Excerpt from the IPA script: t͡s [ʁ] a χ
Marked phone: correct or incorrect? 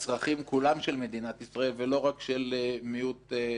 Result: correct